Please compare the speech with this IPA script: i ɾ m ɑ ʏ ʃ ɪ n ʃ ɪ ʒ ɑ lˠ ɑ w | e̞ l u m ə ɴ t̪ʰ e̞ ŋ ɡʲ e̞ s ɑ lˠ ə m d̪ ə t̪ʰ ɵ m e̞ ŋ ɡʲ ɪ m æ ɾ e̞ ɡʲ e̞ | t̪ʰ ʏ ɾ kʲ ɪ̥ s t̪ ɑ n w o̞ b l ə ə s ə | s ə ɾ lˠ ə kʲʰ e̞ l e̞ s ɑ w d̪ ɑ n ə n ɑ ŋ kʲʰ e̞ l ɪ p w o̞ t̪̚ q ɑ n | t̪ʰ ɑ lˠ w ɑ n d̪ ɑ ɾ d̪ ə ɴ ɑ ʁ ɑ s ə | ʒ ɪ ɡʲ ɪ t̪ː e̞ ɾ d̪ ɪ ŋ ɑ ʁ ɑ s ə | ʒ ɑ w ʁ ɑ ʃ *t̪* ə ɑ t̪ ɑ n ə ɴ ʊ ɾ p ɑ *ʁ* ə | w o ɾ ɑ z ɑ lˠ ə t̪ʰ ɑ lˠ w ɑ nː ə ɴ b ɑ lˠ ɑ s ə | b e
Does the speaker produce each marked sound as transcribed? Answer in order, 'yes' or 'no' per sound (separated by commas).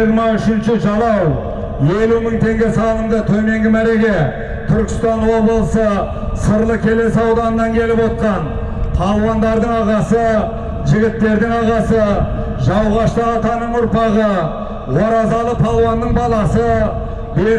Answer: yes, yes